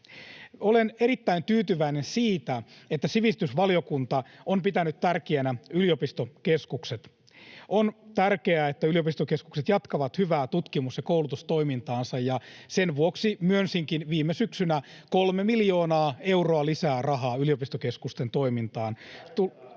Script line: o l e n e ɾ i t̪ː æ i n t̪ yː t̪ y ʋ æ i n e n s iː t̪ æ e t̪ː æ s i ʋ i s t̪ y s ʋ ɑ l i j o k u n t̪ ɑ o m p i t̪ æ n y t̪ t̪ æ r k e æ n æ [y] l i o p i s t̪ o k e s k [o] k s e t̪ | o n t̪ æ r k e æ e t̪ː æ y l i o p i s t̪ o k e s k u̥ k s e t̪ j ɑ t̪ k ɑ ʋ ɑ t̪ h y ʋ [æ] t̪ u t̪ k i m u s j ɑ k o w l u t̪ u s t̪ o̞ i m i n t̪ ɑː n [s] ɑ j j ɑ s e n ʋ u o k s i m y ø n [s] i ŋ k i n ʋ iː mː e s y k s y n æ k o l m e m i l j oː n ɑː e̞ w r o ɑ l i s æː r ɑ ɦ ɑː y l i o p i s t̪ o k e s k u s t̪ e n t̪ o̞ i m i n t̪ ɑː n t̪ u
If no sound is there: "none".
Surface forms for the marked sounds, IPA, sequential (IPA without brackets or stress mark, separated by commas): y, u, æː, s, s